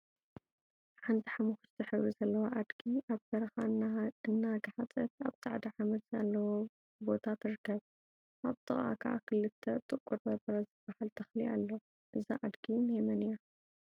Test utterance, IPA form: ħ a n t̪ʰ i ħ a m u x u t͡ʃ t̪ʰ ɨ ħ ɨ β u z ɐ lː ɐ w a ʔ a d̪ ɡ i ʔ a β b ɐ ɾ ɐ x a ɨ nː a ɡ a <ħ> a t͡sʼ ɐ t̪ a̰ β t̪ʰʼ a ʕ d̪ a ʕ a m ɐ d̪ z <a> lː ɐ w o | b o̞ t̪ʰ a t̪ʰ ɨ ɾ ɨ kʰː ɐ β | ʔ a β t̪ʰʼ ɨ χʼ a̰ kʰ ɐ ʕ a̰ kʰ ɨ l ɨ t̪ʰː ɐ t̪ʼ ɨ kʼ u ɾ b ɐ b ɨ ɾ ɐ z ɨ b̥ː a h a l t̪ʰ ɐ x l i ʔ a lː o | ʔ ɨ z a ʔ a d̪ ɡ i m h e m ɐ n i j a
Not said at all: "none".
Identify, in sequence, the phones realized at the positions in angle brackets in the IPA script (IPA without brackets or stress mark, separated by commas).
ħ, a